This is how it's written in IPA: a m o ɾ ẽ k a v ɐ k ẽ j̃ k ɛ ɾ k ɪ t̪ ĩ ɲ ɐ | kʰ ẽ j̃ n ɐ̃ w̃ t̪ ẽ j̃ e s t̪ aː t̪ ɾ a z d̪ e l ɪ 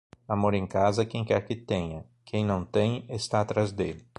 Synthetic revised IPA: a m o ɾ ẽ k a z ɐ k ẽ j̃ k ɛ ɾ k ɪ t̪ ẽ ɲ ɐ | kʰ ẽ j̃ n ɐ̃ w̃ t̪ ẽ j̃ e s t̪ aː t̪ ɾ a z d̪ e l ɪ